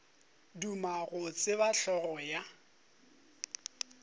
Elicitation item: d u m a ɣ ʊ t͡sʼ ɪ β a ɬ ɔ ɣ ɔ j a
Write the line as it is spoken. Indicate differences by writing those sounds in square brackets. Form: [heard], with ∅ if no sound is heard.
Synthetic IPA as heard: d u m a ɣ ʊ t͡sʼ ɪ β a ɬ ɔ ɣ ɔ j a